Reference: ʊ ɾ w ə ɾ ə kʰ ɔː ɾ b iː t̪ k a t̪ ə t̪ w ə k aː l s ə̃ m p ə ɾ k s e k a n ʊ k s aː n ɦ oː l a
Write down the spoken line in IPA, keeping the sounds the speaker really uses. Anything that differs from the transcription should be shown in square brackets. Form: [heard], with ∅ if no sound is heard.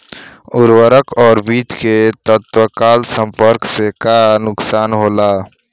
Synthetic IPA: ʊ ɾ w ə ɾ ə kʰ ɔː ɾ b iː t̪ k [e] t̪ ə t̪ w ə k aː l s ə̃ m p ə ɾ k s e k a n ʊ k s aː n ɦ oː l a